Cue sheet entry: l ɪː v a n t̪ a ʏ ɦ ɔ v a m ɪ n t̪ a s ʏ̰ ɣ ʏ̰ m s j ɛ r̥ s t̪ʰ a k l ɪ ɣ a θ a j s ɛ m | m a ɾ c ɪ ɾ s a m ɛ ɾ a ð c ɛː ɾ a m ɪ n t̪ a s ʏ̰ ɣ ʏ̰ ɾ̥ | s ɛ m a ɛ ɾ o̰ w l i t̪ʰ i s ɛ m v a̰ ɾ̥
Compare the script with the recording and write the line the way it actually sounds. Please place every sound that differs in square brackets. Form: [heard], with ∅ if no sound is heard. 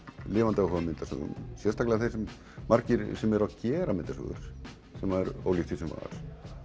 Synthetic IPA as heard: l ɪː v a n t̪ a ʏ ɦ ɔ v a m ɪ n t̪ a s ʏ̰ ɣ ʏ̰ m s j ɛ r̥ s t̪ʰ a k l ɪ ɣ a θ [e] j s ɛ m | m a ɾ c ɪ ɾ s [ɛ] m ɛ ɾ a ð c ɛː ɾ a m ɪ n t̪ a s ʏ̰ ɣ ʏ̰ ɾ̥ | s ɛ m a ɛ ɾ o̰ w l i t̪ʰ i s ɛ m v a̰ ɾ̥